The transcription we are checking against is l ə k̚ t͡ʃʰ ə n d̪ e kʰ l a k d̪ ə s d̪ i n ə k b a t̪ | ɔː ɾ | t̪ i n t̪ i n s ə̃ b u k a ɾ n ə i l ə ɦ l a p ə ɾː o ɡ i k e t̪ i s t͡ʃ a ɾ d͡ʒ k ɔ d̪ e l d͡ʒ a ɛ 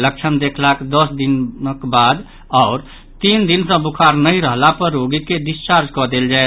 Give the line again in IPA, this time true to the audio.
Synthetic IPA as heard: l ə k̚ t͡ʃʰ ə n d̪ e kʰ l a k d̪ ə s d̪ i n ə k b a d̪ | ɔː ɾ | t̪ i n d̪ i n s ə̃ b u kʰ a ɾ n ə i ɾ ə ɦ l a p ə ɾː o ɡ i k e d̪ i s t͡ʃ a ɾ d͡ʒ k ɔ d̪ e l d͡ʒ a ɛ

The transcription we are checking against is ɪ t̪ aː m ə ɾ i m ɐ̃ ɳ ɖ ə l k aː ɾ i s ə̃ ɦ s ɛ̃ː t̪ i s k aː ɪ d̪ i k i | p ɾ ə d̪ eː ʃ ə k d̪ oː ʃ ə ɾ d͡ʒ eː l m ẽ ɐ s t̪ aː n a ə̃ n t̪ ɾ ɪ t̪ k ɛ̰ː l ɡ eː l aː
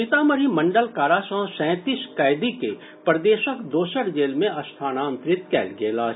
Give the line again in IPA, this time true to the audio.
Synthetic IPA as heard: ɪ t̪ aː m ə ɾ i m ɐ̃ ɳ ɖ ə l k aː ɾ a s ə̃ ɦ s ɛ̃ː t̪ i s k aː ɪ d̪ i k e | p ɾ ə d̪ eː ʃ ə k d̪ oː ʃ ə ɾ d͡ʒ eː l m ẽ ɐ s t̪ʰ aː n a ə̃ n t̪ ɾ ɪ t̪ k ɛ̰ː l ɡ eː l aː

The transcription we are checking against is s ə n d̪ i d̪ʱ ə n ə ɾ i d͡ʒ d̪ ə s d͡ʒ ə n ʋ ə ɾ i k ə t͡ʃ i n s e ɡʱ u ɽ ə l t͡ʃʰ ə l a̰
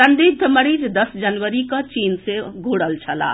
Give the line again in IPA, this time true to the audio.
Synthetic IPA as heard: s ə n d̪ i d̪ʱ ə m ə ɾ i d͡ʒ d̪ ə s d͡ʒ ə n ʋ ə ɾ i k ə t͡ʃ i n s e ɡʱ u ɽ ə l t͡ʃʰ ə l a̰

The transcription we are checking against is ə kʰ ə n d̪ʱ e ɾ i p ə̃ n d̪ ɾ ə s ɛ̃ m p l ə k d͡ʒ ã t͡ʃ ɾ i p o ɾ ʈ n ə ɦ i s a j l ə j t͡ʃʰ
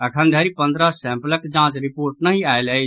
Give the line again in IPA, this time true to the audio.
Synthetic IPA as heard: ə kʰ ə n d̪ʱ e ɾ i p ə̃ n d̪ ɾ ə s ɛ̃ m p l ə k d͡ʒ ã t͡ʃ ɾ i p o ɾ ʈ n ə ɦ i a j l ə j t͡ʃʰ

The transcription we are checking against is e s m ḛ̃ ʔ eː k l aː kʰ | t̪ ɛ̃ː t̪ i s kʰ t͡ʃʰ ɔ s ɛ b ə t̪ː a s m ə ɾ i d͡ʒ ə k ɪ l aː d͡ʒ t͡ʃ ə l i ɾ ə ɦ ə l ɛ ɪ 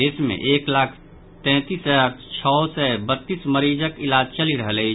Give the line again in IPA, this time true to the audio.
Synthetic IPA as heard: e s m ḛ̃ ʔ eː k l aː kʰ | t̪ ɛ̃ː t̪ i s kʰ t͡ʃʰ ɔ s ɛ b ə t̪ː i s m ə ɾ i d͡ʒ ə k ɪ l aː d͡ʒ t͡ʃ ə l i ɾ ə ɦ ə l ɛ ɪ

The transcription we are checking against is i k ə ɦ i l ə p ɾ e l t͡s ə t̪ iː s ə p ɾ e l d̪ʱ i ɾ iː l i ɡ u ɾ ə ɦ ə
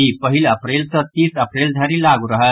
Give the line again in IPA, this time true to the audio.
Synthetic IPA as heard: i p ə ɦ i l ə p ɾ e l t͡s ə t̪ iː s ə p ɾ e l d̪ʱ a ɾ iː l a ɡ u ɾ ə ɦ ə

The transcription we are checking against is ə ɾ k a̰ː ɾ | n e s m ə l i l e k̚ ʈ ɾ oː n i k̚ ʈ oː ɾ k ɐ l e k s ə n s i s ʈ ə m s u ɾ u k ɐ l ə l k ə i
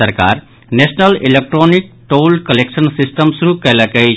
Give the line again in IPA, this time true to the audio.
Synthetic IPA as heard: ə ɾ k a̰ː ɾ | n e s n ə l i l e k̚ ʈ ɾ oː n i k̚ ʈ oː l k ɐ l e k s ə n s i s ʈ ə m s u ɾ u k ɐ l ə k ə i

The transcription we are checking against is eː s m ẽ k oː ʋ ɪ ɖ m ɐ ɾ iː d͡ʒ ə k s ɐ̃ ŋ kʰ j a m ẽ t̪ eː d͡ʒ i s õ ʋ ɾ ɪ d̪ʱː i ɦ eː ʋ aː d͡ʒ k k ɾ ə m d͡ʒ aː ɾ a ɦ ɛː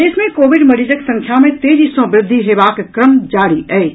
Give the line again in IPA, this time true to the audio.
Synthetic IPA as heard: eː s m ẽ k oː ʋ ɪ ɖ m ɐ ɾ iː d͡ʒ ə k s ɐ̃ ŋ kʰ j a m ẽ t̪ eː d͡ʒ i s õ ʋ ɾ ɪ d̪ʱː i ɦ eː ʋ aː k k ɾ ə m d͡ʒ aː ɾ i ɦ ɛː

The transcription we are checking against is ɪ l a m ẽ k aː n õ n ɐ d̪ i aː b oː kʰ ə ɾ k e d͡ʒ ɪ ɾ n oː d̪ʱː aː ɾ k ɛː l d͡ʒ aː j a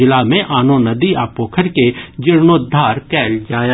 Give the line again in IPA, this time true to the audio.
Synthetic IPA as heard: ɪ l a m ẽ ʔ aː n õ n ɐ d̪ i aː p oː kʰ ə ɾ k e d͡ʒ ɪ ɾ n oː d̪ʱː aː ɾ k ɛː l d͡ʒ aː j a

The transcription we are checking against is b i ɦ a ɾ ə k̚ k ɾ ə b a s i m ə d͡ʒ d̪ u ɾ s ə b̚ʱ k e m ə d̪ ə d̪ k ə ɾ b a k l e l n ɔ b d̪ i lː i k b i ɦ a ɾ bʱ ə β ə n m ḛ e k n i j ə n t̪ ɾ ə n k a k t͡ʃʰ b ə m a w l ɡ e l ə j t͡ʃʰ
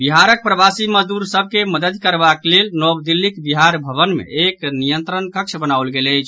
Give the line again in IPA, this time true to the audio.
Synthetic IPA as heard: b i ɦ a ɾ ə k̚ p ɾ ə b a s i m ə d͡ʒ d̪ u ɾ s ə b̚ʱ k e m ə d̪ ə d̪ k ə ɾ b a k l e l n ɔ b d̪ i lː i k b i ɦ a ɾ bʱ ə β ə n m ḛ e k n i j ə n t̪ ɾ ə n k ə k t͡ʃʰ b ə n a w l ɡ e l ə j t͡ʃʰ

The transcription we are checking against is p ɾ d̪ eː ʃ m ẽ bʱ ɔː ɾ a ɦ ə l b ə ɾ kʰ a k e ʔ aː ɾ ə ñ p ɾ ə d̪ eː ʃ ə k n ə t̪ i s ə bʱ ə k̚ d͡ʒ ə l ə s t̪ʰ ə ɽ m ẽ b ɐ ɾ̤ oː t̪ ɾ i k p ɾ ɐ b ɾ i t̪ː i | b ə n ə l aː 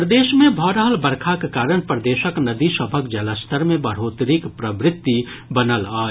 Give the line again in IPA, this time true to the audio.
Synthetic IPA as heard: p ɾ d̪ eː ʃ m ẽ bʱ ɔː ɾ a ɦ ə l b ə ɾ kʰ a k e k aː ɾ ə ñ p ɾ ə d̪ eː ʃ ə k n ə d̪ i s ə bʱ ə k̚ d͡ʒ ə l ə s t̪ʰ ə ɾ m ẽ b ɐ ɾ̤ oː t̪ ɾ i k p ɾ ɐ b ɾ ɪ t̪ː i | b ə n ə l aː

